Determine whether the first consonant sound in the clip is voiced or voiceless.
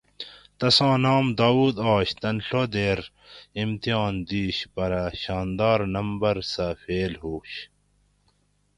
voiceless